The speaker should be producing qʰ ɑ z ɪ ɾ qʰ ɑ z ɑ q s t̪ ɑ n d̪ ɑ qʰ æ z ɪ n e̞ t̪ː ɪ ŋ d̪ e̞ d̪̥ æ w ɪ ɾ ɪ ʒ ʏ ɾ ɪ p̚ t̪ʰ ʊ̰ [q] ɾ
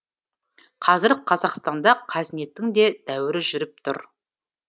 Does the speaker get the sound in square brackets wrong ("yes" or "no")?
yes